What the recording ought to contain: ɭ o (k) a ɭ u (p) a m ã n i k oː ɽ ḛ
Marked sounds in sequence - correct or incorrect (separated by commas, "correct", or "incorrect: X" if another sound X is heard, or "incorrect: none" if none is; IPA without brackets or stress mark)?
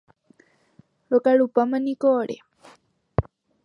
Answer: correct, correct